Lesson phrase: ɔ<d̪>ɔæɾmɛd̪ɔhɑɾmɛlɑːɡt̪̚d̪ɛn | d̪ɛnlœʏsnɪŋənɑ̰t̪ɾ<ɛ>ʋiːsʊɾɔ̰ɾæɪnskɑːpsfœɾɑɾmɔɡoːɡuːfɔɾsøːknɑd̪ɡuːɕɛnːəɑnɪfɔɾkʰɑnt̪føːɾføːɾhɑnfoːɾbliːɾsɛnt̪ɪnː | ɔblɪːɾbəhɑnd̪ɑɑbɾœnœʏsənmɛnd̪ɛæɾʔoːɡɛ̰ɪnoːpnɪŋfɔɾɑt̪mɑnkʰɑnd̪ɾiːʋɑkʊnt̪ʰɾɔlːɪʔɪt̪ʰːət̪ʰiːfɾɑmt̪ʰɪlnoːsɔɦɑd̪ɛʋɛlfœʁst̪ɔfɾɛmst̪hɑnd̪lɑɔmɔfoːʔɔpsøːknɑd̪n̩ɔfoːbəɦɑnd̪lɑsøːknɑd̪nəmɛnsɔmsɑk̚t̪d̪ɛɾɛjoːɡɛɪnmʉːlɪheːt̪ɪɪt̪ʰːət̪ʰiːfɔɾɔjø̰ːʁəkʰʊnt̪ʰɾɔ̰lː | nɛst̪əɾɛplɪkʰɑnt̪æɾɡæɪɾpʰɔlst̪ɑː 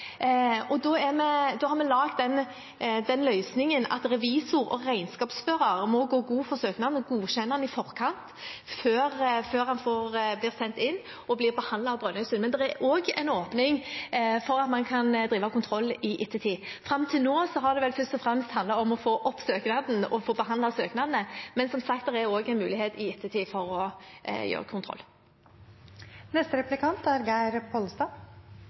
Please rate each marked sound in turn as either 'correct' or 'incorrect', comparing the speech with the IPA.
correct, correct

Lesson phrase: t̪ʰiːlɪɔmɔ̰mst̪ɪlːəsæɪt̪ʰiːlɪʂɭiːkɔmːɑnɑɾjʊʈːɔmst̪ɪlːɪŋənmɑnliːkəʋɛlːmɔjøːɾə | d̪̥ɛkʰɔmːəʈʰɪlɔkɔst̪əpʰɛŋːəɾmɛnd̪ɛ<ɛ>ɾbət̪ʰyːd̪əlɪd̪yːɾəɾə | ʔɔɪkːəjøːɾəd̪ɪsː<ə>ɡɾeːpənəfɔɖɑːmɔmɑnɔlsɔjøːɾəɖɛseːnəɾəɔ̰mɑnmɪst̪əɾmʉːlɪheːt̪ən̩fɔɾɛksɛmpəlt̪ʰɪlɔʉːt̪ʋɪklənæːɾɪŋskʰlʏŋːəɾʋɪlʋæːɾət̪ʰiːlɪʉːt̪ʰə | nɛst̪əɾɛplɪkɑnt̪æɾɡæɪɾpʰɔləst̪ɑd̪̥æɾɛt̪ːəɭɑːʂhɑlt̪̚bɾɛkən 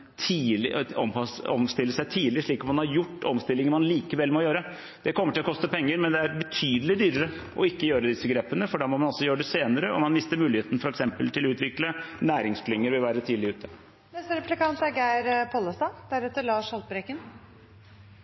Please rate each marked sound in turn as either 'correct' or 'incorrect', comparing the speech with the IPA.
incorrect, correct

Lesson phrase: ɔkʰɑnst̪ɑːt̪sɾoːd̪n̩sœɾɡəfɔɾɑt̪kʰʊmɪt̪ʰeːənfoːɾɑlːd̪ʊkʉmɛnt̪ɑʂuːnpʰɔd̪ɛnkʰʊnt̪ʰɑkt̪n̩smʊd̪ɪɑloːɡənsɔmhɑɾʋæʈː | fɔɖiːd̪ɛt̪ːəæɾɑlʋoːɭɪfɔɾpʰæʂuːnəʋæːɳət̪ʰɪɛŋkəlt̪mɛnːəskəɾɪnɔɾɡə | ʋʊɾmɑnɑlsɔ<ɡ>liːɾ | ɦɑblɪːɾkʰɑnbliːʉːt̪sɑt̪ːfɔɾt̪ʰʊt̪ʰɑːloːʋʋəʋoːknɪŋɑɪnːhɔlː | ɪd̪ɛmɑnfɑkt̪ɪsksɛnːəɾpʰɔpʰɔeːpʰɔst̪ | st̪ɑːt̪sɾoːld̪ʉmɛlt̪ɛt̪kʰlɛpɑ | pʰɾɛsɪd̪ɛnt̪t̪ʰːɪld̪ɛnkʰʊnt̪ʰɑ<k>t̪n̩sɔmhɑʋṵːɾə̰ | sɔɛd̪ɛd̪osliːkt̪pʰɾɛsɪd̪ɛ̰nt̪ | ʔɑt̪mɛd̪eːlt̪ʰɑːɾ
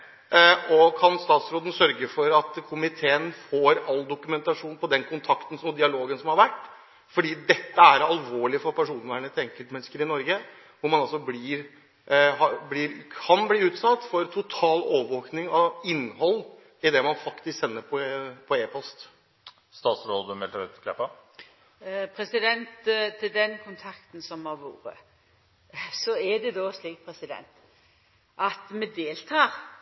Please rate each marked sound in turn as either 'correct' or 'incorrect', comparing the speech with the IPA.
incorrect, correct

